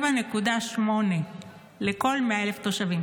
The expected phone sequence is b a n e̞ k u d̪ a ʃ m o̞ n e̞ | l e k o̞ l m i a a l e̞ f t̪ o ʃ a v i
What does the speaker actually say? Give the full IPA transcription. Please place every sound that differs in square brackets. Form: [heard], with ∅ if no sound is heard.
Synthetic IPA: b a n e̞ k u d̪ a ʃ m o̞ n e̞ | l e k o̞ l m [e] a [e] l e̞ f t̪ o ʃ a v i